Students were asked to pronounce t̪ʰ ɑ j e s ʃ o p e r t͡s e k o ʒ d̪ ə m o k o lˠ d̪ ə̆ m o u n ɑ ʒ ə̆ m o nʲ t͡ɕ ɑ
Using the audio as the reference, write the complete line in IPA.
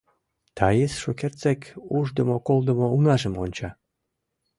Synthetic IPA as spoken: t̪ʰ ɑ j e s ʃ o k e r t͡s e k u ʒ d̪ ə m o k o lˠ d̪ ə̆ m o u n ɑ ʒ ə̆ m o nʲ t͡ɕ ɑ